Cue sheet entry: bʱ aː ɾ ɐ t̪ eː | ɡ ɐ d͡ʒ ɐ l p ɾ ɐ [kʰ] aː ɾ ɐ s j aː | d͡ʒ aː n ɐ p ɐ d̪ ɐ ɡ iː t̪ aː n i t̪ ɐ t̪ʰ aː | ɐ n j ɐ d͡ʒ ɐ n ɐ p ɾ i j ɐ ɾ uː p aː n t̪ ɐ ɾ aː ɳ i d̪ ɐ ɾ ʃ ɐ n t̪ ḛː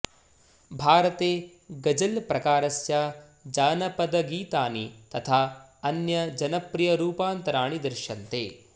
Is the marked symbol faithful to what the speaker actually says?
no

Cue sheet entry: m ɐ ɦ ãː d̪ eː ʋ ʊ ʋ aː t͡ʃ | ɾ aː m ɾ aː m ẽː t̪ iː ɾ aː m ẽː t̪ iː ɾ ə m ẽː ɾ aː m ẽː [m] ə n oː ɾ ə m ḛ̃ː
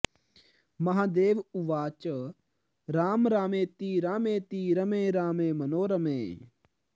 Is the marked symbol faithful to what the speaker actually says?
yes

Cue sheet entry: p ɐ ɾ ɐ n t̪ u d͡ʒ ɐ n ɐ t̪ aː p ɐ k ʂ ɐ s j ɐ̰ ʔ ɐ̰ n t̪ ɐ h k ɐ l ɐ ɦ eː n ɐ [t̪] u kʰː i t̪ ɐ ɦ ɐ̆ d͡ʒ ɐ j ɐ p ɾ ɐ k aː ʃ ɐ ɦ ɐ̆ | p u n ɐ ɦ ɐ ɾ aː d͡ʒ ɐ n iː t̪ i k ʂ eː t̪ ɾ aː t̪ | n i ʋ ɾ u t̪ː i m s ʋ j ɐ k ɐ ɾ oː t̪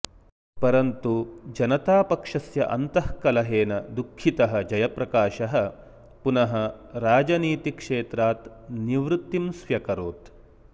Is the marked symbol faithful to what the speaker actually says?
no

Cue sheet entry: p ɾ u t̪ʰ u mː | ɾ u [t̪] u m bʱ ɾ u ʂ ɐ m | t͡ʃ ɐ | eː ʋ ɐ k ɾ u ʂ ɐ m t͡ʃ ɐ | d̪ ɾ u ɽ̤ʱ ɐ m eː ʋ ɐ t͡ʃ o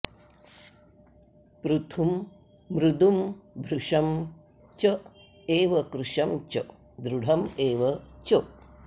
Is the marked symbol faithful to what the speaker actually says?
no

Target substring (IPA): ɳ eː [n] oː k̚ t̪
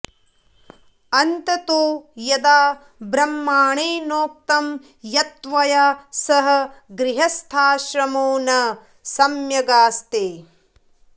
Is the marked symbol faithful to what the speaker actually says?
yes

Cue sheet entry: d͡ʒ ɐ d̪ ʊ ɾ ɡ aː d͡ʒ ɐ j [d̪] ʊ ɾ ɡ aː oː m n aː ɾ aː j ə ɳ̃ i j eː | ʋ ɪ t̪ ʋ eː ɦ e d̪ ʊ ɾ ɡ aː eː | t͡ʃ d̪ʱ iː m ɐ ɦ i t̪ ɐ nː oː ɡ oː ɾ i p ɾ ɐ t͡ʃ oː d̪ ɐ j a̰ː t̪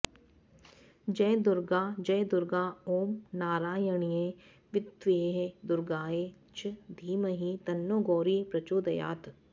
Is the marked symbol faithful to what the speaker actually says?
yes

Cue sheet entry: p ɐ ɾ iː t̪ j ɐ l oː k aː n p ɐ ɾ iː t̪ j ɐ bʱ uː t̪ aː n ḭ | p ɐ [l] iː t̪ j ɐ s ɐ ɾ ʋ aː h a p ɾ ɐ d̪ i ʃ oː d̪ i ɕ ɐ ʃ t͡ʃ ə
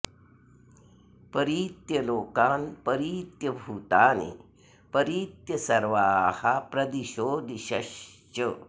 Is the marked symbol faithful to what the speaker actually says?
no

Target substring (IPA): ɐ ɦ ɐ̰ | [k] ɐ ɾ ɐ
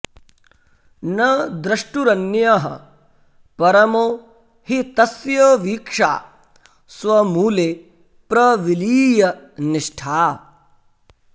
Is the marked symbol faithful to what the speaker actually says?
no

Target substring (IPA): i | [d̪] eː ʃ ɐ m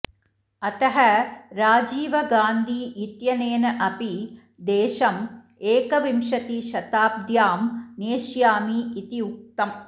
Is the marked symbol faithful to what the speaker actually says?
yes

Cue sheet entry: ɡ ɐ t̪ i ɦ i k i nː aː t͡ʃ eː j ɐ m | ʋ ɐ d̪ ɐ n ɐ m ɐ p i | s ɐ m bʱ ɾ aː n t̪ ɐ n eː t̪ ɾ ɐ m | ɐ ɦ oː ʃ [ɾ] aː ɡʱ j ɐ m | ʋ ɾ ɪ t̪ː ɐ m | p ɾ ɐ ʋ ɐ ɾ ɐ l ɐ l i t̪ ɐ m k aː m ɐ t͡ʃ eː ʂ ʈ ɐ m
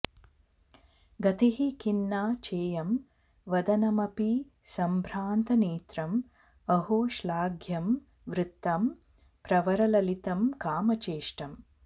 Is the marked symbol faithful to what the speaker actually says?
no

